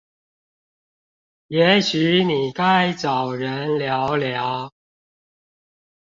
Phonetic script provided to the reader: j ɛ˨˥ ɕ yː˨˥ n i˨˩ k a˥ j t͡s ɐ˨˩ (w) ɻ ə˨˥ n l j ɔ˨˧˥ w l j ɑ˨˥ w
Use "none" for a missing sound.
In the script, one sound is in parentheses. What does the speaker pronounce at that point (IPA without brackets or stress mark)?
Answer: w